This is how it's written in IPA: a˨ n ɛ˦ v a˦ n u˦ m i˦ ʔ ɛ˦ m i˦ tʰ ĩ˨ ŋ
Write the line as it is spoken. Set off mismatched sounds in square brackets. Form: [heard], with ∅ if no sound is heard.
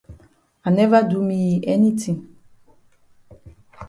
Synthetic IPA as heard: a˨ n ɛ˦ v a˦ [d] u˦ m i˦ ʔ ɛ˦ [n] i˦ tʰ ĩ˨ ŋ